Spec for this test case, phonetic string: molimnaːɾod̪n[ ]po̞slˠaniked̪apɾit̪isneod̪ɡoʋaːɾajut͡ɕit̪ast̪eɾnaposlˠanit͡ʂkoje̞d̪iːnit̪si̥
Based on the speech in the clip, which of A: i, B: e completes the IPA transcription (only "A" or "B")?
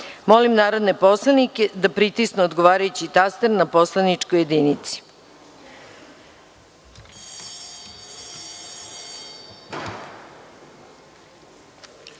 B